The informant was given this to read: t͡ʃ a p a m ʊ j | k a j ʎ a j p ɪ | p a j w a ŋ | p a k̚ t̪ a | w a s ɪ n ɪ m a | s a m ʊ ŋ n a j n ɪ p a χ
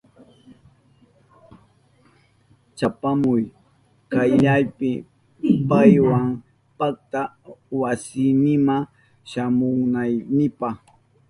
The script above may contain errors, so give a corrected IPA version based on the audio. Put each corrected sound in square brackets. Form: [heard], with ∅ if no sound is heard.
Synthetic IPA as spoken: t͡ʃ a p a m ʊ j | k a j ʎ a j p ɪ | p a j w a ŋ | p a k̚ t̪ a | w a s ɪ n ɪ m a | [ʃ] a m ʊ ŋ n a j n ɪ p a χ